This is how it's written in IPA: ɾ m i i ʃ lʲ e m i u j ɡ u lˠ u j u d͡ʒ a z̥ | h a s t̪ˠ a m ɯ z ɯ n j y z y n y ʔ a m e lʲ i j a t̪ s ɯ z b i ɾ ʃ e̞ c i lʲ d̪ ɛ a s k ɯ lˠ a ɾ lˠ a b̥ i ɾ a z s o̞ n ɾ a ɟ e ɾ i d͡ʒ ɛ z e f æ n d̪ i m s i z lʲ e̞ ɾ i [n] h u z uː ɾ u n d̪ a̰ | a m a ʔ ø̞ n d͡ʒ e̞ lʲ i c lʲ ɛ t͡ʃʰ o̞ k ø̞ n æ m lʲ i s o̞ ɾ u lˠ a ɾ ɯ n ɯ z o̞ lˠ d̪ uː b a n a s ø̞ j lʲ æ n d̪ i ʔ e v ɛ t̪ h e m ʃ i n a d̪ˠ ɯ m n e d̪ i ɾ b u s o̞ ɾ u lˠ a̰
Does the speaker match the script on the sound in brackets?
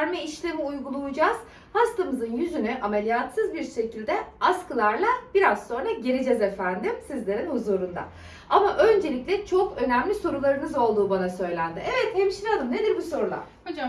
yes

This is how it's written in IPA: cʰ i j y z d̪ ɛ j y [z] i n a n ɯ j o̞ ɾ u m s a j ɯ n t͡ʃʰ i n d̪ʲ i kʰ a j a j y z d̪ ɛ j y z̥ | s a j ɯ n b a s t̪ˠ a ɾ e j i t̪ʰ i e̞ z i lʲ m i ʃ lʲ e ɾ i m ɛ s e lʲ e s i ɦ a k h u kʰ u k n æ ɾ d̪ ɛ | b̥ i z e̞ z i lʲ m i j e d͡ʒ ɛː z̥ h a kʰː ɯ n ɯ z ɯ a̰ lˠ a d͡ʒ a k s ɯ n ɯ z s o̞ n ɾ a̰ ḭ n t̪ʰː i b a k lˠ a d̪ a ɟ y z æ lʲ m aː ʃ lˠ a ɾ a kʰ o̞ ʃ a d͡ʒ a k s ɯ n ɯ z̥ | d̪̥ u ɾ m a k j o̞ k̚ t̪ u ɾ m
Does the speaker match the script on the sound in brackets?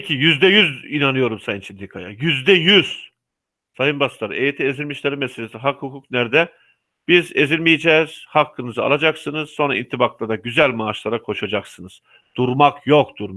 yes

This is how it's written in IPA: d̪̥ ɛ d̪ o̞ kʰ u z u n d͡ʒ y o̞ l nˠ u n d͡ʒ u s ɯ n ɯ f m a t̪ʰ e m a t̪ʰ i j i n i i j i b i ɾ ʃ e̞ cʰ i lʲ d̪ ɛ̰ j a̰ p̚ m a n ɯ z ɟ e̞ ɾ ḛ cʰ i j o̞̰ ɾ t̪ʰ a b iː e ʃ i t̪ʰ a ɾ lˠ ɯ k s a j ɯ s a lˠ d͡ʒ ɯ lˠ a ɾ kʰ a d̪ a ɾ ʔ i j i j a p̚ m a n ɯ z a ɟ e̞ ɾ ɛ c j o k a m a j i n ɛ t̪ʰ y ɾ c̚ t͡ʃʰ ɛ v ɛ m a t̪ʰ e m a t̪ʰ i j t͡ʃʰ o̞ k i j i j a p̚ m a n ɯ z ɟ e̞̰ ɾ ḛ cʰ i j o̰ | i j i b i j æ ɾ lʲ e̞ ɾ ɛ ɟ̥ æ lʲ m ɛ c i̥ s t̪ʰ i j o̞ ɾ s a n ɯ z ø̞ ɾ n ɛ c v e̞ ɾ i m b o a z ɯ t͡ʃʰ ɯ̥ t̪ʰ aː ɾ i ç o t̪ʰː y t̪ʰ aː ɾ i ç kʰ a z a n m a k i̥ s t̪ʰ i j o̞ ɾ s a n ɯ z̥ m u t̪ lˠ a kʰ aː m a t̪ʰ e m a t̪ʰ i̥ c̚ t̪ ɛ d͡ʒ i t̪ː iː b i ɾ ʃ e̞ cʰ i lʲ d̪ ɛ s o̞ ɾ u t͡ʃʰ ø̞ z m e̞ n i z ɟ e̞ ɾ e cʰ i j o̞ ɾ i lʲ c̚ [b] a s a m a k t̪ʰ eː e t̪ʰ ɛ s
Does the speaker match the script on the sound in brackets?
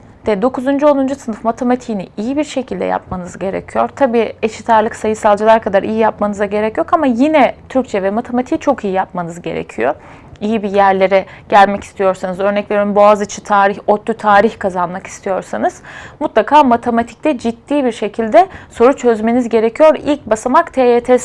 yes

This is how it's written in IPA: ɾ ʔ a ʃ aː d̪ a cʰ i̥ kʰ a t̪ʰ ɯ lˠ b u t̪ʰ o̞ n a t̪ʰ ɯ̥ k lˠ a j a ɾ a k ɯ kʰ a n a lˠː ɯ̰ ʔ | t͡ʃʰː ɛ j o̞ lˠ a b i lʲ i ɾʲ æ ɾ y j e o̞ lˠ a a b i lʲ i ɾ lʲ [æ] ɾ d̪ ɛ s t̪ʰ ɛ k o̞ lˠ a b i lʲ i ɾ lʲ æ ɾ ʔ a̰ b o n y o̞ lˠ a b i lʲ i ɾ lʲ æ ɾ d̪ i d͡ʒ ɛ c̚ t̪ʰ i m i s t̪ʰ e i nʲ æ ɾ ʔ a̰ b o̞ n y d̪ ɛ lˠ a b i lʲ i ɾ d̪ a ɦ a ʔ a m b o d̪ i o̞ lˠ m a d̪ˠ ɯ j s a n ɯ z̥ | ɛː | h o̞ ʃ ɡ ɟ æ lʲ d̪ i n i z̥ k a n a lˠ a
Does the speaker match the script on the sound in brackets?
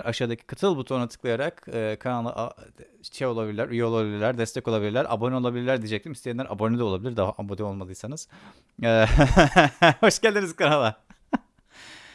yes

